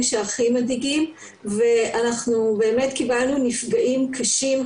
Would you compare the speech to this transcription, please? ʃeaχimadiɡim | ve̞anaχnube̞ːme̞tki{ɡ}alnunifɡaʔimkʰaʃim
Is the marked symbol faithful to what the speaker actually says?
no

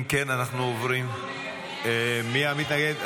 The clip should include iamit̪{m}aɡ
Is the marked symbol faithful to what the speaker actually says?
no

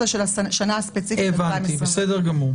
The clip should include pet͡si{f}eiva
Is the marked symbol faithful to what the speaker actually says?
yes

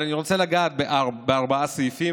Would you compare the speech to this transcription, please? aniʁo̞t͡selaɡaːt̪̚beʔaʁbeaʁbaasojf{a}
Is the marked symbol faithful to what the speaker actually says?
no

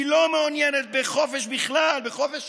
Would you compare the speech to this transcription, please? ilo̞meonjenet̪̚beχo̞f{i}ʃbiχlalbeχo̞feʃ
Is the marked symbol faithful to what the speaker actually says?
no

